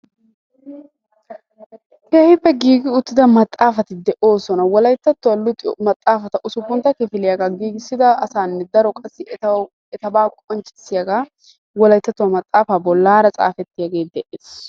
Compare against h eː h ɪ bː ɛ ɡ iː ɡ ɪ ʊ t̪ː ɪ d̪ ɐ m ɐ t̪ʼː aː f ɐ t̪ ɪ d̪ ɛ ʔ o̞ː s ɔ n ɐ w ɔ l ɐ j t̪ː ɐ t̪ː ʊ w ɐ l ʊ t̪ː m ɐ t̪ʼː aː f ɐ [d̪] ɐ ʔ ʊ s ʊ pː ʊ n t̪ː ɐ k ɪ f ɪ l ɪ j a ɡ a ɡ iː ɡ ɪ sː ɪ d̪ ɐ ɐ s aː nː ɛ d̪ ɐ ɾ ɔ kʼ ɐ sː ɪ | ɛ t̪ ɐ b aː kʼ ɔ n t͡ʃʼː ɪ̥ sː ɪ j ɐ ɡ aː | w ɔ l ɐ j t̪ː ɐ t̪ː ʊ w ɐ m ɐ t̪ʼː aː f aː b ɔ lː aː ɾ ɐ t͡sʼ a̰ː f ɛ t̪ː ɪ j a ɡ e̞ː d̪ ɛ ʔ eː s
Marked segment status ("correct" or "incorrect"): incorrect